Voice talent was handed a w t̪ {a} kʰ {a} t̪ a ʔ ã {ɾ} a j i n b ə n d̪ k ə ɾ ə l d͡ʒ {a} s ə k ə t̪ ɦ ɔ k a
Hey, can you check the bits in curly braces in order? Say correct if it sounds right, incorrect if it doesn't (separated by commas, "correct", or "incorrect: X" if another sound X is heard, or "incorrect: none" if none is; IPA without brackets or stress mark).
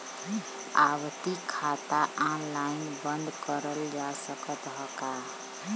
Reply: incorrect: i, correct, incorrect: l, correct